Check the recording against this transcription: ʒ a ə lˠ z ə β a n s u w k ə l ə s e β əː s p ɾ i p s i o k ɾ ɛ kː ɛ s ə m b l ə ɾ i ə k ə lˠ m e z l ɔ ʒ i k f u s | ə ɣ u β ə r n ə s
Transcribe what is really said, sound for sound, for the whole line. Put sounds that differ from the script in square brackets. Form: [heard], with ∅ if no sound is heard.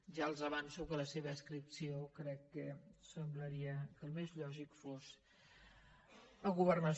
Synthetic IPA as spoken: ʒ a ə lˠ z ə β a n s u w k ə l ə s e β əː s [k] ɾ i p s i o k ɾ ɛ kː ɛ s ə m b l ə ɾ i ə k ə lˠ m e z [ʎ] ɔ ʒ i k f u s | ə ɣ u β ə r n ə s